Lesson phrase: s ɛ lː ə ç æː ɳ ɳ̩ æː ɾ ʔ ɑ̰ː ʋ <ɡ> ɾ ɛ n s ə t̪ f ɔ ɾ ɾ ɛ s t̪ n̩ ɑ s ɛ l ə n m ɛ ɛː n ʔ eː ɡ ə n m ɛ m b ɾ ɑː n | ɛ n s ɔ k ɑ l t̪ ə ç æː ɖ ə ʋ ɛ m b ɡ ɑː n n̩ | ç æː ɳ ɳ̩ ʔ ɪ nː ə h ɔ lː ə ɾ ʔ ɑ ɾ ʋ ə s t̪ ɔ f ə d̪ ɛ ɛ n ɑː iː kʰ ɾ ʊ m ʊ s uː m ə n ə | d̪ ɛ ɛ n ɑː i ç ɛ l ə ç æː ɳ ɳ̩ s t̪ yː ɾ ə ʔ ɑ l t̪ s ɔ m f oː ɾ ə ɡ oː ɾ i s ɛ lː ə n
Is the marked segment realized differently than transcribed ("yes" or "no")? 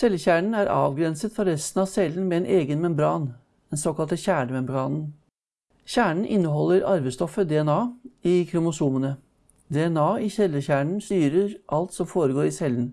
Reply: no